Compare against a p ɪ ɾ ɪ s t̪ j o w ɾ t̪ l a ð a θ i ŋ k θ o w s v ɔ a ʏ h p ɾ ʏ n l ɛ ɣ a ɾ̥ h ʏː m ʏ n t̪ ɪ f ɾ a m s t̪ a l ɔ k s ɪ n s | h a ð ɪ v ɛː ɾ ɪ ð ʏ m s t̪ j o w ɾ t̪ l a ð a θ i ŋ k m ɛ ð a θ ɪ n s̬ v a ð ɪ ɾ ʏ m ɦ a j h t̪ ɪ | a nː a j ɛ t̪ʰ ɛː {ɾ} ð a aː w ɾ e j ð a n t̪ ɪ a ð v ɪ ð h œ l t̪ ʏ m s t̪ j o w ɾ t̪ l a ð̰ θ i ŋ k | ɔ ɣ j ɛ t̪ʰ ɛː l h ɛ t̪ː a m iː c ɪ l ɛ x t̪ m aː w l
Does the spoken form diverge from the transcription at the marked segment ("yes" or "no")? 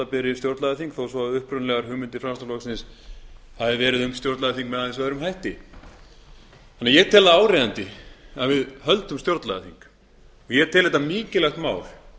yes